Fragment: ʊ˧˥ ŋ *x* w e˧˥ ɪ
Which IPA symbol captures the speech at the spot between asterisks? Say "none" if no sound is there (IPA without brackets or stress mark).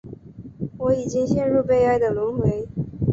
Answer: x